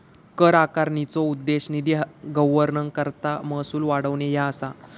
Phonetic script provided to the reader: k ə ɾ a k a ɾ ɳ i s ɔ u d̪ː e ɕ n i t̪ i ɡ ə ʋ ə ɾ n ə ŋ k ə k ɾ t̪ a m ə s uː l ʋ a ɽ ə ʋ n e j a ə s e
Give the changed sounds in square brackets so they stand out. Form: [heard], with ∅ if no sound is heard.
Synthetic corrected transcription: k ə ɾ a k a ɾ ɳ i [t͡s] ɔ u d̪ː e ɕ n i [d̪] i ɡ ə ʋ ə ɾ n ə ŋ k ə [∅] ɾ t̪ a m ə s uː l ʋ a ɽ ə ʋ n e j a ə s [a]